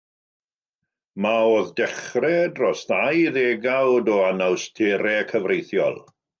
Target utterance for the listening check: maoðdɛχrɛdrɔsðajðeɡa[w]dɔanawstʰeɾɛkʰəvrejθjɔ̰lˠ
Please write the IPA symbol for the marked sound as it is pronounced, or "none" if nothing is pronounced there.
w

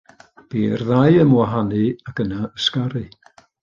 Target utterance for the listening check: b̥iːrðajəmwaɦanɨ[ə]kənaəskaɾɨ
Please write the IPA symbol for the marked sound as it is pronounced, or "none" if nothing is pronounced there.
a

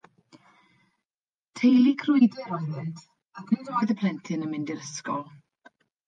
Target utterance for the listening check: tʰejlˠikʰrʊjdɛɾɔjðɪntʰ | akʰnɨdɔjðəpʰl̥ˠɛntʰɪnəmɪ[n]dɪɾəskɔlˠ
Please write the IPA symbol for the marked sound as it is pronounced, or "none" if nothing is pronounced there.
n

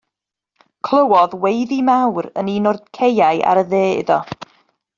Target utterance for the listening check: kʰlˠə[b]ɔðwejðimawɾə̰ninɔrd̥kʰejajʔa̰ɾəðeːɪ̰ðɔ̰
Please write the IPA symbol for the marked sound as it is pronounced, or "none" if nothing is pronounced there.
w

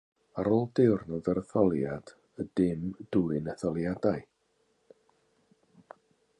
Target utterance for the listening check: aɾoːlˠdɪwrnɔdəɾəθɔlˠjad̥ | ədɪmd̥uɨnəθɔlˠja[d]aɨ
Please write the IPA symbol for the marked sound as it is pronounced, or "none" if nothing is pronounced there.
d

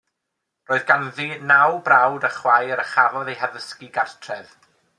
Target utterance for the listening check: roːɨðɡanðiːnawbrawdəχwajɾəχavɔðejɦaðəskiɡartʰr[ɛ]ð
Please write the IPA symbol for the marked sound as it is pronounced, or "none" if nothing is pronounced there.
ɛ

